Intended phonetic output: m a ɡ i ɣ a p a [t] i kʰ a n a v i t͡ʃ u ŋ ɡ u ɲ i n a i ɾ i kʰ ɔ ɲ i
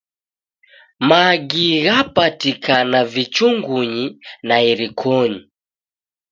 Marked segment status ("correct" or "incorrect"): correct